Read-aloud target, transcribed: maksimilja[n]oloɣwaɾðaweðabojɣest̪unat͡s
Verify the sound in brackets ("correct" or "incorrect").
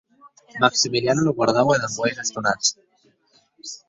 correct